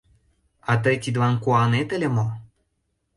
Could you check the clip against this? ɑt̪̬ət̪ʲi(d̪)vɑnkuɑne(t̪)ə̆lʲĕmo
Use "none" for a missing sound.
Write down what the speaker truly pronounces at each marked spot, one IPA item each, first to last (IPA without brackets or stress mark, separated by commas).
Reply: d̪, t̪